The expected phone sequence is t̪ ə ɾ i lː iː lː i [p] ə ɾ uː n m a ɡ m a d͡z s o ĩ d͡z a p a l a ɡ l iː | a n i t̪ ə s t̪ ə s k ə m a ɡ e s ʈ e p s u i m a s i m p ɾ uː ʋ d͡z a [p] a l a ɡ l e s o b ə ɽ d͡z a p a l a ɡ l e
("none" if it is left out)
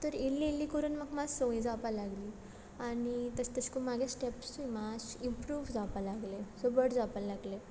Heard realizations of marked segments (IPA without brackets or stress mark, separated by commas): k, p